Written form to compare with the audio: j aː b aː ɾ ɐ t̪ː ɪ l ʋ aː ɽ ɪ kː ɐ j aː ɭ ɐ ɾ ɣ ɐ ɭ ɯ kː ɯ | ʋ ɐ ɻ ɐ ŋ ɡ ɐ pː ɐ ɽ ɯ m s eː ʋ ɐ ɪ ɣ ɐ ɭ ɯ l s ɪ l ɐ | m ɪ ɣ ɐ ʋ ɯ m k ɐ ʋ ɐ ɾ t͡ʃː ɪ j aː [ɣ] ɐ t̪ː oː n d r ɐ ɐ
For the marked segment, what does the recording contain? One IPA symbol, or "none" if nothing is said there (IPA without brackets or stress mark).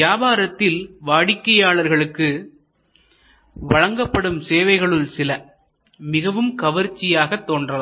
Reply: ɣ